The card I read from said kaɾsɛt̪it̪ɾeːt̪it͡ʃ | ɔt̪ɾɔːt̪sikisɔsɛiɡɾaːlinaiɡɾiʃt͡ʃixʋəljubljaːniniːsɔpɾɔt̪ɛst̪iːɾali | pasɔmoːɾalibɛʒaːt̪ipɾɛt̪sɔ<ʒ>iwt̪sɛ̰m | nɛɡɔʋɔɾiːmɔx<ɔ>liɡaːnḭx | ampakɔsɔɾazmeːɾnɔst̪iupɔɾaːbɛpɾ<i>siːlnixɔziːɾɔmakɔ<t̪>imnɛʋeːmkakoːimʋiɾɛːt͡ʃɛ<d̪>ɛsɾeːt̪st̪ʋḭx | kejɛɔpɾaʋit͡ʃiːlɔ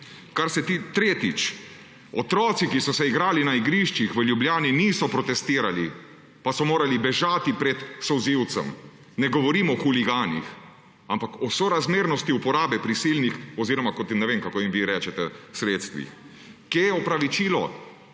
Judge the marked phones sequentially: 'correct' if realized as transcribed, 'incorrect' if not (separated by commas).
incorrect, incorrect, correct, correct, incorrect